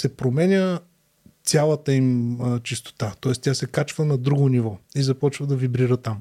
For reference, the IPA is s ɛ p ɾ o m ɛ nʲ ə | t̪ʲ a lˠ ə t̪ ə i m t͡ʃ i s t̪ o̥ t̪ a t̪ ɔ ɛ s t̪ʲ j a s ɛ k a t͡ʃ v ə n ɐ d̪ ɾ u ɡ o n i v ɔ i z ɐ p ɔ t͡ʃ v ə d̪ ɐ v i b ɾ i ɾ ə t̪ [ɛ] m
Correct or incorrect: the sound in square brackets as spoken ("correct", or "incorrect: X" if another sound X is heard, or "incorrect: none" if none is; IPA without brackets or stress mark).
incorrect: a